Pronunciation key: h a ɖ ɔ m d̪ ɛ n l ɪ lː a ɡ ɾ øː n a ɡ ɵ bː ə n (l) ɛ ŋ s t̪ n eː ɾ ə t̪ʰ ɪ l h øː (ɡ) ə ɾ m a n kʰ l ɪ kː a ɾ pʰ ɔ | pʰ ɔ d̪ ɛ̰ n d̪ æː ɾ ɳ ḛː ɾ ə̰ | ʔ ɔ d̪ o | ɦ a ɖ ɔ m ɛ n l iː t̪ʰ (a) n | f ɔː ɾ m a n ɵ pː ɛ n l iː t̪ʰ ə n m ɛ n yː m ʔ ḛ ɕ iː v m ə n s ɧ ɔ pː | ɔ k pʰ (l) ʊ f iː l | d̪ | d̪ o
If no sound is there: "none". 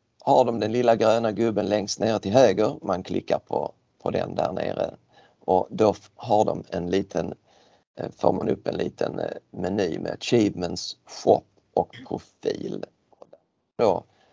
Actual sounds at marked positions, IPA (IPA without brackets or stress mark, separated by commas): l, ɡ, ə, ɾ